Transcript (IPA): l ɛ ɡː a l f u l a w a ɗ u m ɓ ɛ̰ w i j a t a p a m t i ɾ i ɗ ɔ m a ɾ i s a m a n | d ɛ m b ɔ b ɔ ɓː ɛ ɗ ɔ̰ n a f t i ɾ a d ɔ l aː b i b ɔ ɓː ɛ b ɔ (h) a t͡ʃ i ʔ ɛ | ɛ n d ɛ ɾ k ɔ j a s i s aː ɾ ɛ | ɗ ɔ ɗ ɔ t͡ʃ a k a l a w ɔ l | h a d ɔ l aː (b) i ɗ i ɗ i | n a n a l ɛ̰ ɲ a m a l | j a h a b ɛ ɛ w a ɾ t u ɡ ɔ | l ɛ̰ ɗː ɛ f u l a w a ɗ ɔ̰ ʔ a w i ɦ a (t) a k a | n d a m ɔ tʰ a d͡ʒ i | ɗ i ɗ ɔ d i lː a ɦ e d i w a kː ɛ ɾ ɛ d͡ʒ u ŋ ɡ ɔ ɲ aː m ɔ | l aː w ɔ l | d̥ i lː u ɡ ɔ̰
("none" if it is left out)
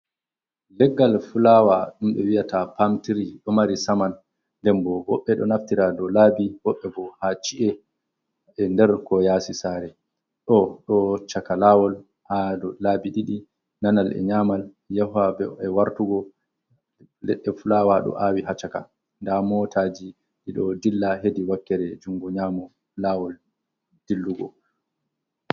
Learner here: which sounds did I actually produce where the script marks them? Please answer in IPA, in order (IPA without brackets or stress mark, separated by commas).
h, b, t͡ʃ